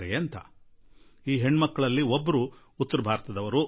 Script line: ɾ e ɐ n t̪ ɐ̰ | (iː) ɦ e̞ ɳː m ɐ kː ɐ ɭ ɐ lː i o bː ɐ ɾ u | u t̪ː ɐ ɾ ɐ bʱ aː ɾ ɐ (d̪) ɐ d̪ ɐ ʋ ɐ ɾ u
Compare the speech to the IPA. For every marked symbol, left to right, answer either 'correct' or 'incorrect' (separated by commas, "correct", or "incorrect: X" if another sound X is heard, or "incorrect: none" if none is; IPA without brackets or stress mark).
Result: correct, incorrect: t̪